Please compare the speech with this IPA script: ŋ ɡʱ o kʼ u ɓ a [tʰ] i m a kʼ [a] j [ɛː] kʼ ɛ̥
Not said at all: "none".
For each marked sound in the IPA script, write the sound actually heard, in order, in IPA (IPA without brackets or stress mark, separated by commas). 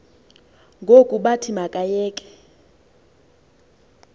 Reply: tʰ, a, ɛː